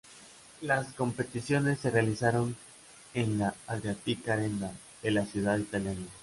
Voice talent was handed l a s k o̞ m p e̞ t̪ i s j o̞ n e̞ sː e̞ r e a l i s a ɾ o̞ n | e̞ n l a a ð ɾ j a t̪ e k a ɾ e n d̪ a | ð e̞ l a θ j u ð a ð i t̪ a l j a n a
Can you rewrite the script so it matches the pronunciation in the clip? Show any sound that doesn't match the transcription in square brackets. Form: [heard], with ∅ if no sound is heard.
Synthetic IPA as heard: l a s k o̞ m p e̞ t̪ i s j o̞ n e̞ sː e̞ r e a l i s a ɾ o̞ n | e̞ n l a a ð ɾ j a t̪ [i] k a ɾ e n d̪ a | ð e̞ l a [s] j u ð a ð i t̪ a l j a n a